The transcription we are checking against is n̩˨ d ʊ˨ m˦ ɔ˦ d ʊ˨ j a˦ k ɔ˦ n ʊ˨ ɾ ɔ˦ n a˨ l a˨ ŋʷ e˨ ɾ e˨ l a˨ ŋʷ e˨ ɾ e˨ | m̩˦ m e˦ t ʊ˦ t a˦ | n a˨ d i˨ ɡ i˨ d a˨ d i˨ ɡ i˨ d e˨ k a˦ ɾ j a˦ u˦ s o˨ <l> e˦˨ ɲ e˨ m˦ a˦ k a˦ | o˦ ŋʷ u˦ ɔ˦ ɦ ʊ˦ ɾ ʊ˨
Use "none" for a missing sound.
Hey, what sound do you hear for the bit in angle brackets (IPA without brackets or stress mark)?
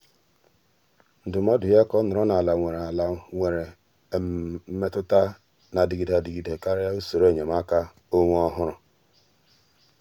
ɾ